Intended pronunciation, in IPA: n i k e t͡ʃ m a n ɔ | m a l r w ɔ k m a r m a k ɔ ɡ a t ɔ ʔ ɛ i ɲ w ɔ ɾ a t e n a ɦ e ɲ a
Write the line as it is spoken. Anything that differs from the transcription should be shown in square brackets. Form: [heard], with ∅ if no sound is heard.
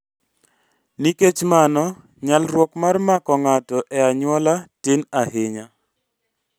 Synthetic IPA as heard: n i k e t͡ʃ m a n ɔ | [ɲ] a l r w ɔ k m a r m a k ɔ [ŋ] a t ɔ ʔ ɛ [a] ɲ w ɔ [l] a t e n a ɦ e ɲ a